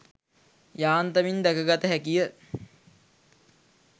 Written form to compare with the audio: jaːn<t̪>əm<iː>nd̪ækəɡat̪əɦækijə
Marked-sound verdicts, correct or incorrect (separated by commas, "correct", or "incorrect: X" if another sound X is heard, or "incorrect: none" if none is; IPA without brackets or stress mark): correct, incorrect: i